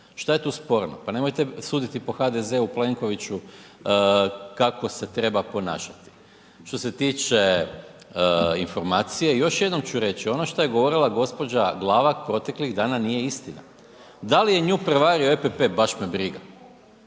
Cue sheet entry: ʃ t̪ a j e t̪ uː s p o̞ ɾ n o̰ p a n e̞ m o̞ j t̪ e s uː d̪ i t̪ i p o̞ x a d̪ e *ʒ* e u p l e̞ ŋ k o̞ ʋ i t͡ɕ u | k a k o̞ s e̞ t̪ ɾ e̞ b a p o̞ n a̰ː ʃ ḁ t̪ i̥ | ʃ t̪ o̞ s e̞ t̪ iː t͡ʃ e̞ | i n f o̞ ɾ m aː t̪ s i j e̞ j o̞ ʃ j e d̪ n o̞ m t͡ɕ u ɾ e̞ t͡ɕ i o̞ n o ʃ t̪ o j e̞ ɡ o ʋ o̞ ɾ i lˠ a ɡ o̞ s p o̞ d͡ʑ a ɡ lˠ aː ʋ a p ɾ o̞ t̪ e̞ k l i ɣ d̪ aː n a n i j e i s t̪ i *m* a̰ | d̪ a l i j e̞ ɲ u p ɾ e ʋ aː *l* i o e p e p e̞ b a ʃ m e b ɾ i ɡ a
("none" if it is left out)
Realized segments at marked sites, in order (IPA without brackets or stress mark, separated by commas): z, n, ɾ